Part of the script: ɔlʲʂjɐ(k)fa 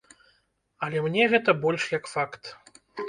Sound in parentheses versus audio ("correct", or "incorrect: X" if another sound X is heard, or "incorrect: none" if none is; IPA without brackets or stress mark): correct